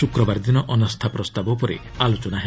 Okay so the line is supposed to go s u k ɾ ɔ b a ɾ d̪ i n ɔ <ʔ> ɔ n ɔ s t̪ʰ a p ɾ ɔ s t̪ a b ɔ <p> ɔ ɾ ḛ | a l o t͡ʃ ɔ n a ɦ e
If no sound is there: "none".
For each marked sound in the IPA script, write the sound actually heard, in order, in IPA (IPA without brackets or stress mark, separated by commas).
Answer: ʔ, p